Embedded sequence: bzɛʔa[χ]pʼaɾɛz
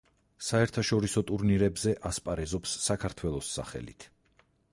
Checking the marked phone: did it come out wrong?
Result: yes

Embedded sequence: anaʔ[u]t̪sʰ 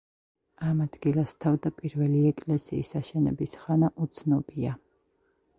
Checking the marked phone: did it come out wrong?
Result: no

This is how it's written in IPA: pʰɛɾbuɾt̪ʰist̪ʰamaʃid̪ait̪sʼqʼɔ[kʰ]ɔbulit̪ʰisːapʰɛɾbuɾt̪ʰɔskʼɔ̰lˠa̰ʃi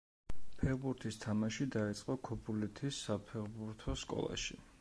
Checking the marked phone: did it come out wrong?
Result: no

